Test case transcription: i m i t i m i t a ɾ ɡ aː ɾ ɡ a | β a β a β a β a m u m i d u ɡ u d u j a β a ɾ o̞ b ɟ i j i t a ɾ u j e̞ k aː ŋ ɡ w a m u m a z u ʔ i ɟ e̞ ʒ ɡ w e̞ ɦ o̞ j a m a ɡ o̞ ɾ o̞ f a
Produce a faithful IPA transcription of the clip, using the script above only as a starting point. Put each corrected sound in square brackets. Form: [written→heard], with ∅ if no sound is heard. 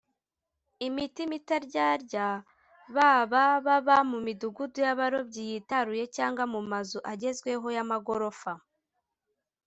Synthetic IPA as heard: i m i t i m i t a ɾ [ɡ→ɟ] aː ɾ [ɡ→ɟ] a | β a β a β a β a m u m i d u ɡ u d u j a β a ɾ o̞ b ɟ i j i t a ɾ u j e̞ [k→c] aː ŋ ɡ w a m u m a z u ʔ [i→a] ɟ e̞ [ʒ→z] ɡ w e̞ ɦ o̞ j a m a ɡ o̞ ɾ o̞ f a

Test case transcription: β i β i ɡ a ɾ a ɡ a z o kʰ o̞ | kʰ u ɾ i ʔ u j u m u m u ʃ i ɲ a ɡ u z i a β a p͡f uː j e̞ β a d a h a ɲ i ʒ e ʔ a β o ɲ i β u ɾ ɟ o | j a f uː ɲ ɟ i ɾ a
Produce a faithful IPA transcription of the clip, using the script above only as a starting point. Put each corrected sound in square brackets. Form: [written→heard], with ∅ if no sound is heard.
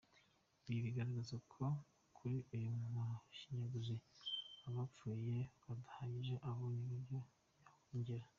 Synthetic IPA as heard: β i β i ɡ a ɾ a ɡ a z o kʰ o̞ | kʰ u ɾ i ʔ u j u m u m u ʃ i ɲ a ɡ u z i a β a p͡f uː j e̞ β a d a h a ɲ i ʒ e ʔ a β o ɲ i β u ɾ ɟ o | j a [f→h] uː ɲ ɟ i ɾ a

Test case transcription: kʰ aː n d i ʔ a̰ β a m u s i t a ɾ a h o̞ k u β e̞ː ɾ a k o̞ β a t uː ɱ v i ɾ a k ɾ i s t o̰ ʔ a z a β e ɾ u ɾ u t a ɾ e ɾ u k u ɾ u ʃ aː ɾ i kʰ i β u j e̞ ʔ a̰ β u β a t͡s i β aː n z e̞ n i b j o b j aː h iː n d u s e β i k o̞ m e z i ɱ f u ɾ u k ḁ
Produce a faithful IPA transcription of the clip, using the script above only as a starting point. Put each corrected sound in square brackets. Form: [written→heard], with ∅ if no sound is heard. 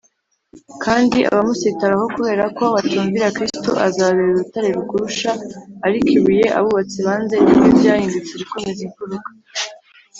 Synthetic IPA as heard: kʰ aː n d i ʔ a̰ β a m u s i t a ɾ a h o̞ k u β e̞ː ɾ a k o̞ β a t uː ɱ v i ɾ a k ɾ i s t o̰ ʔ a z a β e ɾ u ɾ u t a ɾ e ɾ u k u ɾ u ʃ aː ɾ i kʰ i β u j e̞ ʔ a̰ β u β a t͡s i β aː n z e̞ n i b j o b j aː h iː n d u [s→t͡s] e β i k o̞ m e z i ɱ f u ɾ u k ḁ

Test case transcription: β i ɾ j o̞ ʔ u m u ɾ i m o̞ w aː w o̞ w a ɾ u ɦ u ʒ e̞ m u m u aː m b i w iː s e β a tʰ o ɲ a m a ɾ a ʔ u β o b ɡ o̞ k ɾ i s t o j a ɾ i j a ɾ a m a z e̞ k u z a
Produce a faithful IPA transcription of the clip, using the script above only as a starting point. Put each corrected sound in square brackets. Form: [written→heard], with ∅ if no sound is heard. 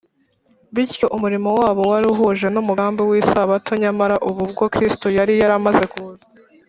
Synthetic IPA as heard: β i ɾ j o̞ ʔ u m u ɾ i m o̞ w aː [w→β] o̞ w a ɾ u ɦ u ʒ e̞ [m→n] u m u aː m b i w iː s [e→a] β a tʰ o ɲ a m a ɾ a ʔ u β [o→u] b ɡ o̞ k ɾ i s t o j a ɾ i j a ɾ a m a z e̞ k u z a

